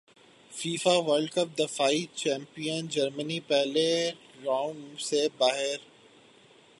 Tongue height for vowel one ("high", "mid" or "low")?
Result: high